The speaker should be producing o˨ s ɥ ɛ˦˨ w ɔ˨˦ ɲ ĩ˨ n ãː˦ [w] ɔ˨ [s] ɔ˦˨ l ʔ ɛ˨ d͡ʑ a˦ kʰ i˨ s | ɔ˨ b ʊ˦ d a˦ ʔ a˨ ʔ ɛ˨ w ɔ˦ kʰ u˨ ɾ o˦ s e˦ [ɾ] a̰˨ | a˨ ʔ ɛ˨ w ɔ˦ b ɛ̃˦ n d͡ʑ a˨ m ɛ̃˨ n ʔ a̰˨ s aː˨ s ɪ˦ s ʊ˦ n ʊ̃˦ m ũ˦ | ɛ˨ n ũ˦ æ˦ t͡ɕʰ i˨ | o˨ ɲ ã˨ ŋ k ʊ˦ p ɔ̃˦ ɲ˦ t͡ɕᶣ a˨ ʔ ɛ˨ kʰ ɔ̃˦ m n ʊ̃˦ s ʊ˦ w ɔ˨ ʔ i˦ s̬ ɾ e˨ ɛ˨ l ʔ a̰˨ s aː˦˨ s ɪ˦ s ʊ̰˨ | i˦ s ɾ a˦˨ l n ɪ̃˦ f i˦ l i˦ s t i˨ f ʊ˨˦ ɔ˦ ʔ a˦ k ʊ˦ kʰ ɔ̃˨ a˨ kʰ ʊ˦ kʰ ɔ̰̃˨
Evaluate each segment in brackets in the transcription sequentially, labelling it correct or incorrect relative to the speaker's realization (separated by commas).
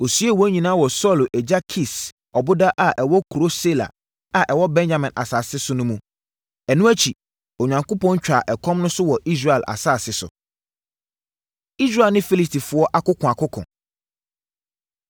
correct, correct, incorrect